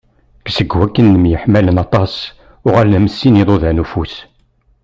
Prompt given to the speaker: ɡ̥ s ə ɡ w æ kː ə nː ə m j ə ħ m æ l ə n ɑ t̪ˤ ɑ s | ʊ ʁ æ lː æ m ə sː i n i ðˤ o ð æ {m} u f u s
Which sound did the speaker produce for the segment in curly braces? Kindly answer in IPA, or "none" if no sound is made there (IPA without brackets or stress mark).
n